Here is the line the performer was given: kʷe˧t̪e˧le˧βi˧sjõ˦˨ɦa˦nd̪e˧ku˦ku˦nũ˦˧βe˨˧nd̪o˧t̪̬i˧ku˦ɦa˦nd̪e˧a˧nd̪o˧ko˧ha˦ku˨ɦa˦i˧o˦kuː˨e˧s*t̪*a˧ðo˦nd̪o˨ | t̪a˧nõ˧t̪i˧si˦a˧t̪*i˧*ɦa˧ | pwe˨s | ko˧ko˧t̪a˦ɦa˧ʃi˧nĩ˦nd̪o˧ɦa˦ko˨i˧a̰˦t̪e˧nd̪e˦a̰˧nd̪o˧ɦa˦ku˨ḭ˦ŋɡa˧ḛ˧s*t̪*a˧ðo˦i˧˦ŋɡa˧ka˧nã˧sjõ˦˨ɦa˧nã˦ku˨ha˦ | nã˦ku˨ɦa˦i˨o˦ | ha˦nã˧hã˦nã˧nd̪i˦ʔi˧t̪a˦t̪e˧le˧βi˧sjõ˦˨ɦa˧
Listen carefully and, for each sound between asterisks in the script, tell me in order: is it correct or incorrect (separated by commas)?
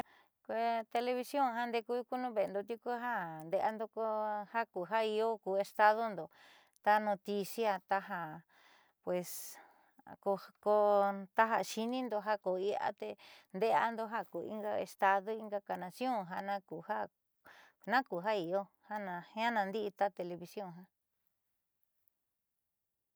correct, incorrect, correct